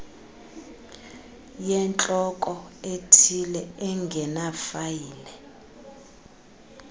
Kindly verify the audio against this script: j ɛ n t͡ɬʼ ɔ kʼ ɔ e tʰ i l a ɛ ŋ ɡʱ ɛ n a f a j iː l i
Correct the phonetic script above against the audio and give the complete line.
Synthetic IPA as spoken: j ɛ n t͡ɬʼ ɔ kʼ ɔ e tʰ i l ɛ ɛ ŋ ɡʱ ɛ n a f a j iː l ɛ